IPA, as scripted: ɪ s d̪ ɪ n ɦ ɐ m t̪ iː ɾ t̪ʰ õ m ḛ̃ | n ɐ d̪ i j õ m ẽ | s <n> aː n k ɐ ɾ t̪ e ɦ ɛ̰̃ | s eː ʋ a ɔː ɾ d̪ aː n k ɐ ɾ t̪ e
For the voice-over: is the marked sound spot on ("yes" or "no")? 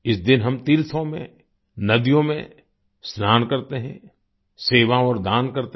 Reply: yes